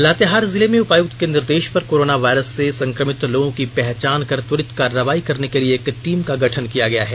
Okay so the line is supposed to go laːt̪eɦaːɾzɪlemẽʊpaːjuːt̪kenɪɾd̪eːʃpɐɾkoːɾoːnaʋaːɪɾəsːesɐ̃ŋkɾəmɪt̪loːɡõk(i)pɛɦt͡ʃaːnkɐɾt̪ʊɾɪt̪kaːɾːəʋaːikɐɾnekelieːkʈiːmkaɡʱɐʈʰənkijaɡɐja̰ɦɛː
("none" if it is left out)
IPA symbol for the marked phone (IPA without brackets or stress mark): i